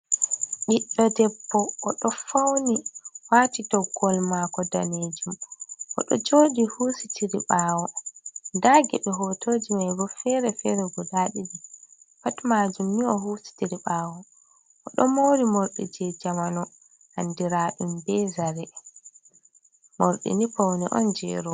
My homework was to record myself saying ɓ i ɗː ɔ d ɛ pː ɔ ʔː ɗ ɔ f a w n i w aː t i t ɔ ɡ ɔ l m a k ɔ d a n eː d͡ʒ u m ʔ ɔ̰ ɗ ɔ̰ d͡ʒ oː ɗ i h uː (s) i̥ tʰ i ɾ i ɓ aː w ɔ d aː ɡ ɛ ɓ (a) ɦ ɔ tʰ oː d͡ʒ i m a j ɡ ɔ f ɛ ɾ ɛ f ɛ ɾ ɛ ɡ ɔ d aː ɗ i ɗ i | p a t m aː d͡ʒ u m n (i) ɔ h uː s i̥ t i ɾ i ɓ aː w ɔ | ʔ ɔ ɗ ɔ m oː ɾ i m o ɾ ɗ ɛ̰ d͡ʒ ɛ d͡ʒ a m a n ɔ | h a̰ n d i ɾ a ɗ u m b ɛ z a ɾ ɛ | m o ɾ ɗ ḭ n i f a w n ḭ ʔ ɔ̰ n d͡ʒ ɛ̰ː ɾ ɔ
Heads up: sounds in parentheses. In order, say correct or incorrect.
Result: correct, incorrect: ɛ, correct

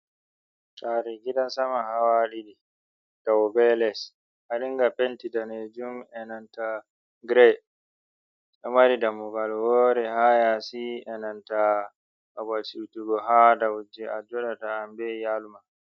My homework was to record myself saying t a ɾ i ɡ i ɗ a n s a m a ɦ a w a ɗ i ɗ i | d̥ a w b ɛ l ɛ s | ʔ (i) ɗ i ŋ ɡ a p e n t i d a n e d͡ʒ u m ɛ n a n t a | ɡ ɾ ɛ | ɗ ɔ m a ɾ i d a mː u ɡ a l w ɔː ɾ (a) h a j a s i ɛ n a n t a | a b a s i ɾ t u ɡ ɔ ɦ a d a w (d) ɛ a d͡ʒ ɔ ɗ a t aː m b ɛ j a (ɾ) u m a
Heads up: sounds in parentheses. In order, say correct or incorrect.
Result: incorrect: a, incorrect: ɛ, incorrect: d͡ʒ, incorrect: l

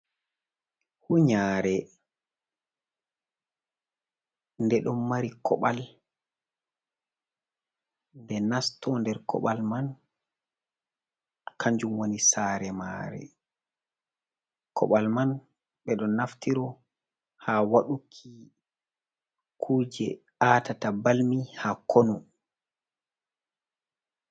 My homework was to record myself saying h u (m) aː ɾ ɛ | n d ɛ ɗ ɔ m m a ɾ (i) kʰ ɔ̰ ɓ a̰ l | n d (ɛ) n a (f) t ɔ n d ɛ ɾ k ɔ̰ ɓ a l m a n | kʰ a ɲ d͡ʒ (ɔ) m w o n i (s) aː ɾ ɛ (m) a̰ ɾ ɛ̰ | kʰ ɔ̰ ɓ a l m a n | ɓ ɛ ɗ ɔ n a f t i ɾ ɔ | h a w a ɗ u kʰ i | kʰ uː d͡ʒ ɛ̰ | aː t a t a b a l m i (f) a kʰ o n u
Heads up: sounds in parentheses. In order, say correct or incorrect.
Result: incorrect: ɲ, correct, correct, incorrect: s, incorrect: u, correct, correct, incorrect: h

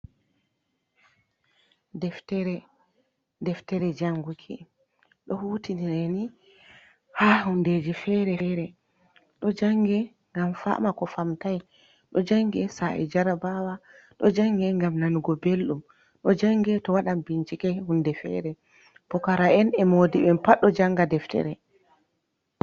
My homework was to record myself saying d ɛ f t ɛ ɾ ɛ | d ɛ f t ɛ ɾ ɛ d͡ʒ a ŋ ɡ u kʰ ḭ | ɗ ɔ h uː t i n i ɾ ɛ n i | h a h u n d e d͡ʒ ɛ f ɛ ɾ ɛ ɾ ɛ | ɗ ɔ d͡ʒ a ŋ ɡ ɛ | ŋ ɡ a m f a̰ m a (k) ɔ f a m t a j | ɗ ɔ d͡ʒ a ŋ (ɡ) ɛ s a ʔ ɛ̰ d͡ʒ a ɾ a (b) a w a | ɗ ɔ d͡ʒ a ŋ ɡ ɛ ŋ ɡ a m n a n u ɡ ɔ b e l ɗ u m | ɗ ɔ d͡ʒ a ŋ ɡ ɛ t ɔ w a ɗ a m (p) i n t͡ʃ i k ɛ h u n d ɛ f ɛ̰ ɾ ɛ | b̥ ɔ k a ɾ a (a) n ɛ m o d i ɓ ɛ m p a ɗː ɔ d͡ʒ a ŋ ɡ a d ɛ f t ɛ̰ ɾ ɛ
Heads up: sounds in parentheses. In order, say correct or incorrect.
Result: correct, correct, correct, incorrect: b, incorrect: ɛ

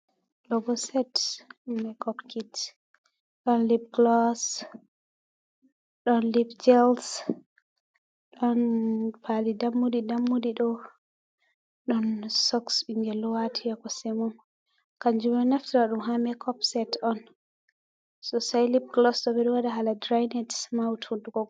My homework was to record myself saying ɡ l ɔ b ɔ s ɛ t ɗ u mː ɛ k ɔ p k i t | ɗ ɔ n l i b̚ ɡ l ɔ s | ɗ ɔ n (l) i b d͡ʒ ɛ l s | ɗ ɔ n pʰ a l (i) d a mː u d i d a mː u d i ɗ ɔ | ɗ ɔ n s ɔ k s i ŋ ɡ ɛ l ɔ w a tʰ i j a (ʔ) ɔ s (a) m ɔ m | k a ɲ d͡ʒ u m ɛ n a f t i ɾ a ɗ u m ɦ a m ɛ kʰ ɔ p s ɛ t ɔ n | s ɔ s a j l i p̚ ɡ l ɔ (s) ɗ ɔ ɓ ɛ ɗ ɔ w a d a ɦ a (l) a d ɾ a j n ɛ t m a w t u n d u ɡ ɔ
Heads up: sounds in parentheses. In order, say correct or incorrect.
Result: correct, correct, incorrect: k, incorrect: ɛ, correct, correct

